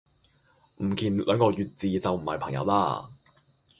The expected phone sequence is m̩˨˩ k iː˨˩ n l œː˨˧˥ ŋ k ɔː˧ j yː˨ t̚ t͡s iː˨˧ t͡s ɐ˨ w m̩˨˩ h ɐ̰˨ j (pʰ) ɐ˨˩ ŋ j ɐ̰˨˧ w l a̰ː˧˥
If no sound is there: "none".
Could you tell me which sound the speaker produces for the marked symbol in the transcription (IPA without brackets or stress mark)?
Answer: pʰ